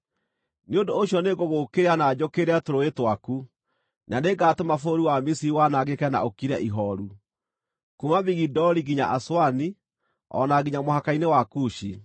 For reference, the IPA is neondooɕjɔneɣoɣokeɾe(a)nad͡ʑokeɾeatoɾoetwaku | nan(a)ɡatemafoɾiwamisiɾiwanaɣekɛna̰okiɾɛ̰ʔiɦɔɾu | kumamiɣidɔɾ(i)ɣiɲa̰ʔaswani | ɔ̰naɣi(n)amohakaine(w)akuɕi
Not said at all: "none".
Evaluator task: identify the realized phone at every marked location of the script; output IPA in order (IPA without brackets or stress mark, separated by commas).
a, e, i, ɲ, w